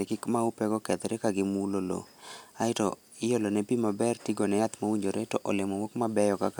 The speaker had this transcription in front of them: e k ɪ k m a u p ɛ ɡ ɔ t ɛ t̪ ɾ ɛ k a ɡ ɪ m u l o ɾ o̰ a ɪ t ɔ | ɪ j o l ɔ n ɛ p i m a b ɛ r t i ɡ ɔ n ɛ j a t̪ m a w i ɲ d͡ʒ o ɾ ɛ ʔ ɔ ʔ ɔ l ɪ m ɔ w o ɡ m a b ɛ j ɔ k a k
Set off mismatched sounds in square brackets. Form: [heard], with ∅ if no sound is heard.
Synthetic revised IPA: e k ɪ k m a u p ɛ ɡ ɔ [k] ɛ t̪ ɾ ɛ k a ɡ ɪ m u l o [l] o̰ a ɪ t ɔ | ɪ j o l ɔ n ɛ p i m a b ɛ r t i ɡ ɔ n ɛ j a t̪ m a w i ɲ d͡ʒ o ɾ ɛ [t] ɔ ʔ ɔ l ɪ m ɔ w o [k] m a b ɛ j ɔ k a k